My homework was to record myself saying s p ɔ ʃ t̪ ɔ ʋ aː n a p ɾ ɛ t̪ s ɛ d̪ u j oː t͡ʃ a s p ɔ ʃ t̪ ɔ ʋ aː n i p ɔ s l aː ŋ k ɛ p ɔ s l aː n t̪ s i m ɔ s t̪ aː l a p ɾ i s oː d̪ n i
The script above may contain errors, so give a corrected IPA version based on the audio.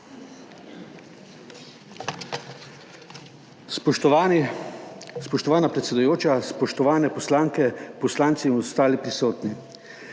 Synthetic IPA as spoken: s p ɔ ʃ t̪ ɔ ʋ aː n a p ɾ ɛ t̪ s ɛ d̪ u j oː t͡ʃ a s p ɔ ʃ t̪ ɔ ʋ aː n ɛ p ɔ s l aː ŋ k ɛ p ɔ s l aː n t̪ s i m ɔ s t̪ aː l i p ɾ i s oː t̪ n i